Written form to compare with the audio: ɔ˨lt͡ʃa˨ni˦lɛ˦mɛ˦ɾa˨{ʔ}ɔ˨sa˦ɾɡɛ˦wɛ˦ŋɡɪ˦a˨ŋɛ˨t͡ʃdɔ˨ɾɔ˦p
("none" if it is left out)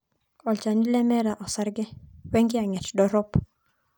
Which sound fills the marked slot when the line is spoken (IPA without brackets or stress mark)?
ʔ